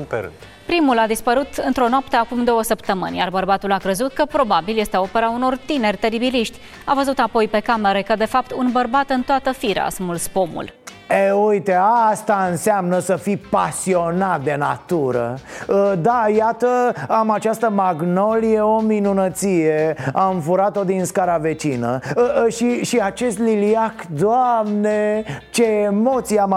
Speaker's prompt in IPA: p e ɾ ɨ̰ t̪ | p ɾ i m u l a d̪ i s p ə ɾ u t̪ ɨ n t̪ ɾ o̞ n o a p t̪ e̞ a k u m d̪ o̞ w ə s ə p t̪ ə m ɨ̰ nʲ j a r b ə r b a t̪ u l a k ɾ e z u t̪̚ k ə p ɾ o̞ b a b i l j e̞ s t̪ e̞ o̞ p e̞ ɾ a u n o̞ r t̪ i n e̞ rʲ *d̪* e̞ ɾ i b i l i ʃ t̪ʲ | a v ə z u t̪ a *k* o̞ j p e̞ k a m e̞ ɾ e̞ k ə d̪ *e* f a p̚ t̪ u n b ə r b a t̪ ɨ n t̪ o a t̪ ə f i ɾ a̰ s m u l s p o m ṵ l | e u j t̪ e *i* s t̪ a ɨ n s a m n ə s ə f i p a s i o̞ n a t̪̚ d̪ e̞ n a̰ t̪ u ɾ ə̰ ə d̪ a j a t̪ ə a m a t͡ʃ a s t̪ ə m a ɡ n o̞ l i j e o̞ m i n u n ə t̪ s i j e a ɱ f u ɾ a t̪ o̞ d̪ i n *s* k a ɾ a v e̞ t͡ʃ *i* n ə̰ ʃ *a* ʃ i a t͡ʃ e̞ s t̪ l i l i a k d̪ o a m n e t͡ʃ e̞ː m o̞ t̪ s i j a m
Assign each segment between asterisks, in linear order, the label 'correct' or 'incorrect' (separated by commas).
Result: incorrect, incorrect, correct, incorrect, correct, correct, incorrect